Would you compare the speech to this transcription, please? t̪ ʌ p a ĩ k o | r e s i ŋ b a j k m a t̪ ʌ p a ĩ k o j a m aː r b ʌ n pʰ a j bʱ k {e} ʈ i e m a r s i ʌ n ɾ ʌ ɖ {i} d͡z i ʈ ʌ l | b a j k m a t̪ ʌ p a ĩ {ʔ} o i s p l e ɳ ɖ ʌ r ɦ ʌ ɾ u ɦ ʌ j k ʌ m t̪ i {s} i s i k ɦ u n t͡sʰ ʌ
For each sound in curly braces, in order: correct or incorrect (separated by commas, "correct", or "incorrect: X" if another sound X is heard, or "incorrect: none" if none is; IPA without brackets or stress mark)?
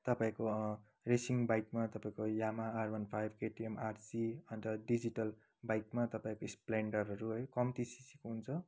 correct, correct, incorrect: k, correct